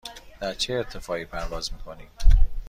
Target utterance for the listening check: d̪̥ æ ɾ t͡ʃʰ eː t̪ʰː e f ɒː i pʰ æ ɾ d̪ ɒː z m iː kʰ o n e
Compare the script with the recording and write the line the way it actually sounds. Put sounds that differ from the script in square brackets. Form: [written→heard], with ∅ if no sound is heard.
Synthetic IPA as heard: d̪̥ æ ɾ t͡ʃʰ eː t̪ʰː e f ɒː i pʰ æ ɾ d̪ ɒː z m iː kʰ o n [e→i]